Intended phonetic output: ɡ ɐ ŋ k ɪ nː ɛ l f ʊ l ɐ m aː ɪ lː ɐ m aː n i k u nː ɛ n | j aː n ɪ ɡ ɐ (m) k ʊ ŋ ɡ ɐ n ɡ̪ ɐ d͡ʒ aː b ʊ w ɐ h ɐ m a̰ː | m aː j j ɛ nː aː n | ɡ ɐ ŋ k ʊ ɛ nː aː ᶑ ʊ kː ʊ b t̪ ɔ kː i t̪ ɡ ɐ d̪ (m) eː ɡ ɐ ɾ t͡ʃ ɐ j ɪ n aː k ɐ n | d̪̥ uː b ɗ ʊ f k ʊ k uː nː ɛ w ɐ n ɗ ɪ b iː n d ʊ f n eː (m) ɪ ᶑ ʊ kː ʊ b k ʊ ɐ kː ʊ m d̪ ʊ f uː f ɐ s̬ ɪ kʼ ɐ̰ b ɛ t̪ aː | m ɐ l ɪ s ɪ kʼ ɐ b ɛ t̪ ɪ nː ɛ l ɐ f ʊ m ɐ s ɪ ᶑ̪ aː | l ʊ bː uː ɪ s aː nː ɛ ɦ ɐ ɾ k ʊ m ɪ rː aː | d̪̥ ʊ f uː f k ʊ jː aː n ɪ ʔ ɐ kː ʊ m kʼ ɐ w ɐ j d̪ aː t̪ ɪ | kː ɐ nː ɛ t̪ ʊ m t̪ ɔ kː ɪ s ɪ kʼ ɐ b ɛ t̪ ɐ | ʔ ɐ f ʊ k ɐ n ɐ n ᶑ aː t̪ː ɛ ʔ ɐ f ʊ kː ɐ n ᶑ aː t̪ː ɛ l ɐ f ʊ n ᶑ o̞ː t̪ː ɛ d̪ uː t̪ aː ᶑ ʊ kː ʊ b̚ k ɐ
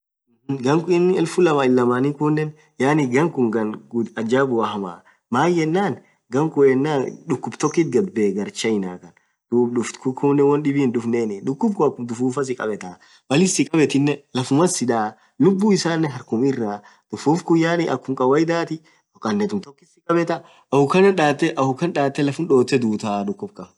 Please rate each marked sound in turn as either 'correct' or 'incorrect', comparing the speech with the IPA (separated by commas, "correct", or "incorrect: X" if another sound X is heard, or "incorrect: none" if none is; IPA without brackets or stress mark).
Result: incorrect: ŋ, incorrect: b, incorrect: n